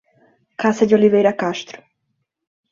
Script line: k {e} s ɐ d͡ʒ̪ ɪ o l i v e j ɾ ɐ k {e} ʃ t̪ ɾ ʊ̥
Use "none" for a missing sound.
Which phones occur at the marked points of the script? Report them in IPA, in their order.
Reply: a, a

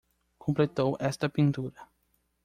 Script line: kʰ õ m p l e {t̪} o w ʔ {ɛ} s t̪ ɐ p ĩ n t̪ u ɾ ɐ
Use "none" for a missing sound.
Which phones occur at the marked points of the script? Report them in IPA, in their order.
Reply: t̪, ɛ

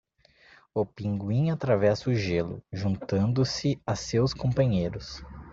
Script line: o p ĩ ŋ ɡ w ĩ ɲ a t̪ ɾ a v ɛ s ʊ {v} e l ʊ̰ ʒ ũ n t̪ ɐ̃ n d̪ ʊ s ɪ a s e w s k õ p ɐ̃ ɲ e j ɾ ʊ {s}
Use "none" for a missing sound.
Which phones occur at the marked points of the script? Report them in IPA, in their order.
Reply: ʒ, s

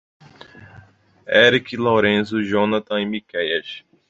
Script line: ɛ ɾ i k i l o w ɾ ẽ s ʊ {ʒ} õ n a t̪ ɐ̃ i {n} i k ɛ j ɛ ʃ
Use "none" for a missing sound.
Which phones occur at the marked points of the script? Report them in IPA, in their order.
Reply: ʒ, m

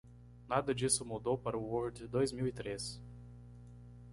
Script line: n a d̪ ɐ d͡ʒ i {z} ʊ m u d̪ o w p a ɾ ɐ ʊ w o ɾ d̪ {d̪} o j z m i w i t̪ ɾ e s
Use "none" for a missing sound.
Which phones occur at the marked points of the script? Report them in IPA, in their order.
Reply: s, d̪

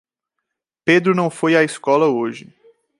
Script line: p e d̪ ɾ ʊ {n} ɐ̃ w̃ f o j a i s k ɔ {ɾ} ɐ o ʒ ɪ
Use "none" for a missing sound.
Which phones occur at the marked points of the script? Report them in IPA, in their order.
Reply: n, l

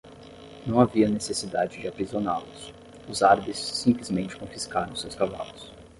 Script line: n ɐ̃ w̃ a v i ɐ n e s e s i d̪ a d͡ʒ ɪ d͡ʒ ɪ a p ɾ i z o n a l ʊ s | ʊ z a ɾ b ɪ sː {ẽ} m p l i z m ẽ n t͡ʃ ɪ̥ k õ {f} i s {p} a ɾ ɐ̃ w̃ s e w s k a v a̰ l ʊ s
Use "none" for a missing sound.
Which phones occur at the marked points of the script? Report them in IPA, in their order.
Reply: ĩ, f, k

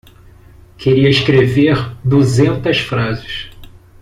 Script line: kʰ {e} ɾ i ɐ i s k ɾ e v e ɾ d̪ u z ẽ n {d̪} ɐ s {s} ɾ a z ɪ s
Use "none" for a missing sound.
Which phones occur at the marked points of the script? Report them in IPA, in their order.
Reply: e, t̪, f

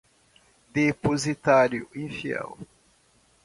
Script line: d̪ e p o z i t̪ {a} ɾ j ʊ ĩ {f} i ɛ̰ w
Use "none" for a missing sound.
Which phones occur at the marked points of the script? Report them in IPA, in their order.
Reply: a, f

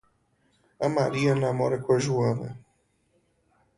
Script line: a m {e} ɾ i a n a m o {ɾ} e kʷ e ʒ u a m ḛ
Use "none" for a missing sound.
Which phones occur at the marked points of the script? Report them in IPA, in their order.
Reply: a, ɾ

